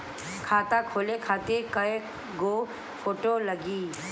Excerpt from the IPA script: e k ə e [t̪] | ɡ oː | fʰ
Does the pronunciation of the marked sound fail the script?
yes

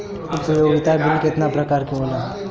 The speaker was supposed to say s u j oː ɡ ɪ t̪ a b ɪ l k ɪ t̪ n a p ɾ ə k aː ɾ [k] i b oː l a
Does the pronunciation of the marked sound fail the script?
no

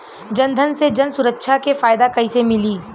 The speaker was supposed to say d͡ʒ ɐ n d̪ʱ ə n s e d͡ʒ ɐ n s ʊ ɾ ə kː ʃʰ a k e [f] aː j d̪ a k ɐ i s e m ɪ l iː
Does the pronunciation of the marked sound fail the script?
no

